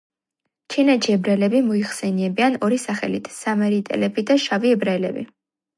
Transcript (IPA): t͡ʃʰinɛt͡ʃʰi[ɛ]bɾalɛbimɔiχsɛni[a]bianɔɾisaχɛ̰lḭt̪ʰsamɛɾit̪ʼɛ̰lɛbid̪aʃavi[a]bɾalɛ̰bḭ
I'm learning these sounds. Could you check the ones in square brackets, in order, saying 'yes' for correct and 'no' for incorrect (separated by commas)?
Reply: yes, no, no